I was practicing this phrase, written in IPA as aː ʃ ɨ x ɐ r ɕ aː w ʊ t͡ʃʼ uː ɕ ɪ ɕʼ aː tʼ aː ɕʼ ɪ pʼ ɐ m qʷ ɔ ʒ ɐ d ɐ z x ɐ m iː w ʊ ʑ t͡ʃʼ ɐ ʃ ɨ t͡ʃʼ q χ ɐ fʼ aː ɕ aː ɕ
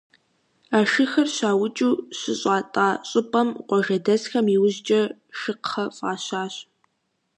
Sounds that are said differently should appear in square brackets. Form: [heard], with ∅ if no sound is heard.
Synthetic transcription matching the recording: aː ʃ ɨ x ɐ r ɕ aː w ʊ t͡ʃʼ uː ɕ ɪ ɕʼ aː tʼ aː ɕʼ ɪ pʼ ɐ m qʷ ɔ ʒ ɐ d ɐ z x ɐ m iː w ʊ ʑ t͡ʃʼ ɐ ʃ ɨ [∅] q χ ɐ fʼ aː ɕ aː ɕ